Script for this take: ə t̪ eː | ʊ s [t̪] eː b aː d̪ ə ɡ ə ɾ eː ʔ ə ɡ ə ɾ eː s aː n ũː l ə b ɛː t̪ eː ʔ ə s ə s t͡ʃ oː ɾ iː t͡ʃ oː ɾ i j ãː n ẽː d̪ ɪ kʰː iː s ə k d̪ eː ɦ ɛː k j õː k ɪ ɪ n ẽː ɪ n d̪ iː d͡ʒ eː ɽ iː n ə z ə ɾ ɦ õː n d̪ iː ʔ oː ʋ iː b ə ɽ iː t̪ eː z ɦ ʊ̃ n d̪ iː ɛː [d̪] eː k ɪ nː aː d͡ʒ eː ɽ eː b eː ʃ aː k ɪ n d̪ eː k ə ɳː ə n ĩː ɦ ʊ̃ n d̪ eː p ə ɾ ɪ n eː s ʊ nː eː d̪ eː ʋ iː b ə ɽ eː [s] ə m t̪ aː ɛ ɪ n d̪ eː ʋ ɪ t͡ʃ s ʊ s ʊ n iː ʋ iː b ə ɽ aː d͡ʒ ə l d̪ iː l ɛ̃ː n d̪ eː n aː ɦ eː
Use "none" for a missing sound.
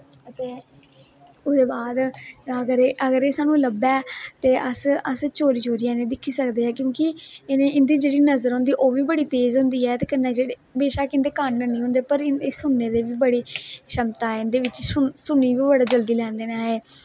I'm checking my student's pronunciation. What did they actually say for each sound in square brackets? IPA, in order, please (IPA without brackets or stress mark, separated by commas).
d̪, t̪, ʃ